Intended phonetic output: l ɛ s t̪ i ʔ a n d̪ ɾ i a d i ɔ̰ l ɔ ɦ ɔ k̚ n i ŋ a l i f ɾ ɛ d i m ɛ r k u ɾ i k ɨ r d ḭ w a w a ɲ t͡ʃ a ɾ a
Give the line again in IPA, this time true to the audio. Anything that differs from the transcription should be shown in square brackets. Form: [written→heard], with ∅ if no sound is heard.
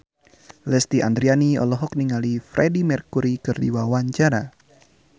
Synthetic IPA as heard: l ɛ s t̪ i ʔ a n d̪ ɾ i a [d→n] i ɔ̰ l ɔ ɦ ɔ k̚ n i ŋ a l i f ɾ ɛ d i m ɛ r k u ɾ i k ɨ r d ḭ w a w a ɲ t͡ʃ a ɾ a